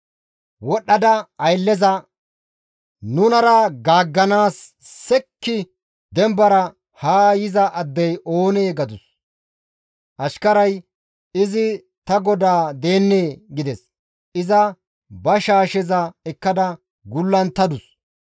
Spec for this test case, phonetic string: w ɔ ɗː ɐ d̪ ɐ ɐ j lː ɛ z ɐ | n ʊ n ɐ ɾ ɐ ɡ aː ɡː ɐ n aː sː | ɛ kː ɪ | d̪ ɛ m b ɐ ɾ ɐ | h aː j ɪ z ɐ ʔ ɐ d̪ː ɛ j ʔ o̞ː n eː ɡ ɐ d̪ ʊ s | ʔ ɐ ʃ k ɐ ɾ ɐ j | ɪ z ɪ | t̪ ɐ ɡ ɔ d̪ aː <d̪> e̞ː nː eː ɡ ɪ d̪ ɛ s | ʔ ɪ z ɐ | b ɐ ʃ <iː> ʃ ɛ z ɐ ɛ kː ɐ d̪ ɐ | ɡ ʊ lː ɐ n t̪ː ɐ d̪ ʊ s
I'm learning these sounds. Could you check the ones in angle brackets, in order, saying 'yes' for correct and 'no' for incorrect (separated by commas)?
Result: yes, no